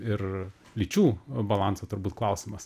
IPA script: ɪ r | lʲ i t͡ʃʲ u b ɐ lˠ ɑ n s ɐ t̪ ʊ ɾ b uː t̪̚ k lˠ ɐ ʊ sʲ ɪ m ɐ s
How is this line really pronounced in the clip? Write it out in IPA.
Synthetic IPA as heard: ɪ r | lʲ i t͡ʃʲ uː b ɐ lˠ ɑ n s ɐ t̪ ʊ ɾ b uː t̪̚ k lˠ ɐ ʊ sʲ ɪ m ɐ s